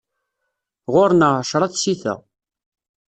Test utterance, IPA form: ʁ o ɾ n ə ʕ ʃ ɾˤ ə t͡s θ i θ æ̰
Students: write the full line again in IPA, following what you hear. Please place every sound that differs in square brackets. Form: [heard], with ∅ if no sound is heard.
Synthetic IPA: ʁ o ɾ n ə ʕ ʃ ɾˤ [ɑ] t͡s [s] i θ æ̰